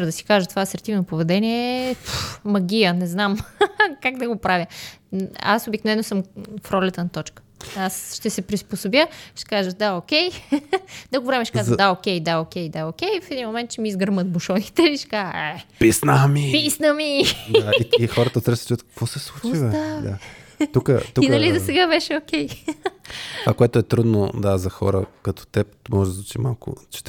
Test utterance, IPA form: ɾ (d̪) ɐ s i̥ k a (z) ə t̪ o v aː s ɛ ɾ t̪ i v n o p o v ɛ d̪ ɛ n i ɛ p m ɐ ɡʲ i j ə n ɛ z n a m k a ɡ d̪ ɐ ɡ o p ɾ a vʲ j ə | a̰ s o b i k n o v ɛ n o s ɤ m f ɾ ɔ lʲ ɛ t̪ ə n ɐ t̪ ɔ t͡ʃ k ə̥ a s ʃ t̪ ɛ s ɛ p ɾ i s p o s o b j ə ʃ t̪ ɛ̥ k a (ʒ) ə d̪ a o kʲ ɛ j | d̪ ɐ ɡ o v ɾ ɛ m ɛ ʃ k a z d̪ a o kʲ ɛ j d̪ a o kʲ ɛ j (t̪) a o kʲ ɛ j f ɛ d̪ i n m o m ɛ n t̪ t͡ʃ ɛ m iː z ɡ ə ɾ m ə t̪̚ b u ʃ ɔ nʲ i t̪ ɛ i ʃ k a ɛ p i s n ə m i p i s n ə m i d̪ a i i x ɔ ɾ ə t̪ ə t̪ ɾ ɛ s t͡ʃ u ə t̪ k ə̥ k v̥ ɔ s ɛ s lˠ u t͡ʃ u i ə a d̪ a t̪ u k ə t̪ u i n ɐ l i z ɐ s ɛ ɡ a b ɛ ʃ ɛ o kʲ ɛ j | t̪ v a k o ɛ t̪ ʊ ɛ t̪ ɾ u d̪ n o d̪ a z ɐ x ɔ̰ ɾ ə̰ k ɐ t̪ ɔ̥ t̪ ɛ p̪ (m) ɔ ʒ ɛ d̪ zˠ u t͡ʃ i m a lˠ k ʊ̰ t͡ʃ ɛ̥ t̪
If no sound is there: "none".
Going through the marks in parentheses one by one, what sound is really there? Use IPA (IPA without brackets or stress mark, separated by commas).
d̪, ʒ, ʒ, d̪, m